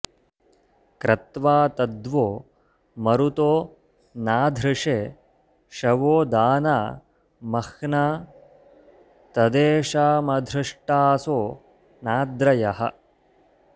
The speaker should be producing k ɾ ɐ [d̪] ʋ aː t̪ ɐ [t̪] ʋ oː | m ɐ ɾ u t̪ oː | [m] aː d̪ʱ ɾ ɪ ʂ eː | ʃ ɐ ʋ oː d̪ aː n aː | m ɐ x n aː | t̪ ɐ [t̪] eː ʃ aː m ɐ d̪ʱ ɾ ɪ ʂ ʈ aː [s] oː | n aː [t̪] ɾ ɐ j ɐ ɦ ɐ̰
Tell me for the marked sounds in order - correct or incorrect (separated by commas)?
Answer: incorrect, incorrect, incorrect, incorrect, correct, incorrect